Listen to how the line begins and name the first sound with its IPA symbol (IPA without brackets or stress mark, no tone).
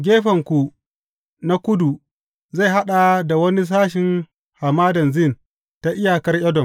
ɡʲ